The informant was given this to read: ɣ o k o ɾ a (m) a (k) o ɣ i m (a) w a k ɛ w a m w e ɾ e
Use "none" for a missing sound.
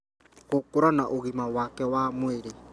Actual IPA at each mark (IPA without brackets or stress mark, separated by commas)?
n, ʔ, a